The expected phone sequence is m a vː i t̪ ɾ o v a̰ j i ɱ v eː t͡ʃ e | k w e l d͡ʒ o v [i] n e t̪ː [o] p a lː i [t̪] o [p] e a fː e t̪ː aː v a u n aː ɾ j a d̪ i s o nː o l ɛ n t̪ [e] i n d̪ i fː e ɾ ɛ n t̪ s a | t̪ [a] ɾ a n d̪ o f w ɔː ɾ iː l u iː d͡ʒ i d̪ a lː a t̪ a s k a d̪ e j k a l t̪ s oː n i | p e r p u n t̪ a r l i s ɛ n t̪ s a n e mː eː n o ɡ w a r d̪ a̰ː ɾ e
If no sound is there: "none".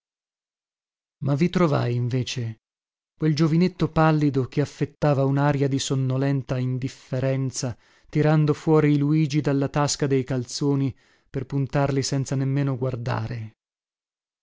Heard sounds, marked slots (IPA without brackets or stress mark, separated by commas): i, o, d̪, k, a, i